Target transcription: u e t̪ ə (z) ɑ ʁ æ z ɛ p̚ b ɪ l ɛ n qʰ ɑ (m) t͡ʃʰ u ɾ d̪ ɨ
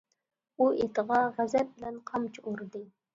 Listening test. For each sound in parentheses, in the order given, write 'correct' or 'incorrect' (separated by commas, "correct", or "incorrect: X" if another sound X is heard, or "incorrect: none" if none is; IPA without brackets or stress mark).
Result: incorrect: ʁ, correct